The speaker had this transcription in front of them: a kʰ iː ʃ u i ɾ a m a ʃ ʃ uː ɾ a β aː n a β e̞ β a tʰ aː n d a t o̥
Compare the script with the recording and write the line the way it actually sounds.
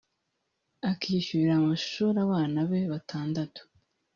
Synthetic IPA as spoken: a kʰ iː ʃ u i ɾ a m a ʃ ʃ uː ɾ a β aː n a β e̞ β a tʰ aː n d a t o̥